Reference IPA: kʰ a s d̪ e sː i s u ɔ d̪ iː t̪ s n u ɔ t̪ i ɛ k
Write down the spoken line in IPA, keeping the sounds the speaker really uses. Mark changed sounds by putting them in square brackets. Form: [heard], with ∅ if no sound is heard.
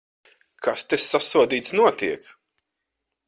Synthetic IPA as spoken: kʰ a s [t̪] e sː [a] s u ɔ d̪ iː t̪ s n u ɔ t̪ i ɛ k